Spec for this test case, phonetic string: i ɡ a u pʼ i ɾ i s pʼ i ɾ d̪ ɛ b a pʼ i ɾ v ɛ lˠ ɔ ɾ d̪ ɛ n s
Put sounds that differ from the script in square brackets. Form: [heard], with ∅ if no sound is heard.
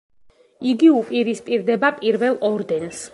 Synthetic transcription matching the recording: i ɡ [i] u pʼ i ɾ i s pʼ i ɾ d̪ ɛ b a pʼ i ɾ v ɛ lˠ ɔ ɾ d̪ ɛ n s